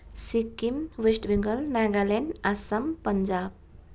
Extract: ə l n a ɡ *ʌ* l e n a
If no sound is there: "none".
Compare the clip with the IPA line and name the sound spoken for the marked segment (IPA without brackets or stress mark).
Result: a